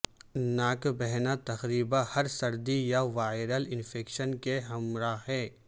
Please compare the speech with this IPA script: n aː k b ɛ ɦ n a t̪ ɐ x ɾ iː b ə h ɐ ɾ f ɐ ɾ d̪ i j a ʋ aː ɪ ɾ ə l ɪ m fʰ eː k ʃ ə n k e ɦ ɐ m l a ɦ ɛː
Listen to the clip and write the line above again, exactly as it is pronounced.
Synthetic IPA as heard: n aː k b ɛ ɦ n a t̪ ɐ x ɾ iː b a h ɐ ɾ s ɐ ɾ d̪ i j a ʋ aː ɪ ɾ ə l ɪ n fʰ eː k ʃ ə n k e ɦ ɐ m ɾ a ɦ ɛː